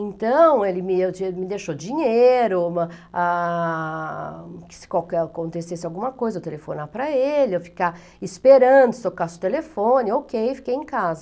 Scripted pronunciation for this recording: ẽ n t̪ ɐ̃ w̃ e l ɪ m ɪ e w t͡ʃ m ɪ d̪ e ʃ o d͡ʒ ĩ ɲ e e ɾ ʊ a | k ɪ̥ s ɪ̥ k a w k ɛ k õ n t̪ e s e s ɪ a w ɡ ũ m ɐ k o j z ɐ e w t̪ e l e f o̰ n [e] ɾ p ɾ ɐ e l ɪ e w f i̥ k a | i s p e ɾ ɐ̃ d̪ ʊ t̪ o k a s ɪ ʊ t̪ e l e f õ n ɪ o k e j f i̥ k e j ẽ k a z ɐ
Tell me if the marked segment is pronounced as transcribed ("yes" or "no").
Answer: no